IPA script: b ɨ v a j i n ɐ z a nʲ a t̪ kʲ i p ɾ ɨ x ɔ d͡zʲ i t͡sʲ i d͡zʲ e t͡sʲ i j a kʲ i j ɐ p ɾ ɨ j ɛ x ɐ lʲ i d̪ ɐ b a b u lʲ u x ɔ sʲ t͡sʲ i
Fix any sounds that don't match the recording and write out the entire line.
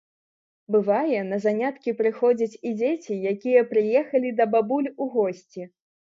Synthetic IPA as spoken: b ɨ v a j ɛ n ɐ z a nʲ a t̪ kʲ i p ɾ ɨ x ɔ d͡zʲ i t͡sʲ i d͡zʲ e t͡sʲ i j a kʲ i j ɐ p ɾ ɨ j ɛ x ɐ lʲ i d̪ ɐ b a b u lʲ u ɣ ɔ sʲ t͡sʲ i